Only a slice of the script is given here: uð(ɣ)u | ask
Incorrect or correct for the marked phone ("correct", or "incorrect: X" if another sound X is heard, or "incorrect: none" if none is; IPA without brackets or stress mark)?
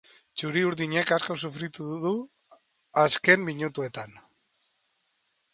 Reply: incorrect: ð